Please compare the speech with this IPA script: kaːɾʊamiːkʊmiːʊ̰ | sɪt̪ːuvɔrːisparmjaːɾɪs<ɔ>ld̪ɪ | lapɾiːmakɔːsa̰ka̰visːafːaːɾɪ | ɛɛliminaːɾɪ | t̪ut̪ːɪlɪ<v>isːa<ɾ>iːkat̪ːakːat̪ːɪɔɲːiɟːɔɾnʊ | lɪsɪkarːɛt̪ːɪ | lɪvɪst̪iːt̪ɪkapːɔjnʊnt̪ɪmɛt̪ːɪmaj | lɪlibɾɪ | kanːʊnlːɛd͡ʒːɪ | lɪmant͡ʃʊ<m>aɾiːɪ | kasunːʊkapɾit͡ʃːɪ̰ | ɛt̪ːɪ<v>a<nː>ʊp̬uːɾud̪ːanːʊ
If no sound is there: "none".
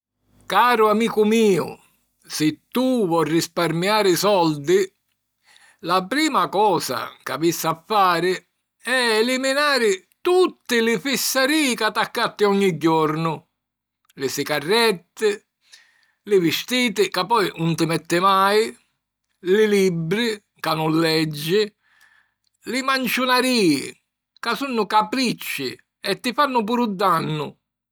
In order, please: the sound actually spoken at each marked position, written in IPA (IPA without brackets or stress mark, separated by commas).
ɔ, f, ɾ, n, f, nː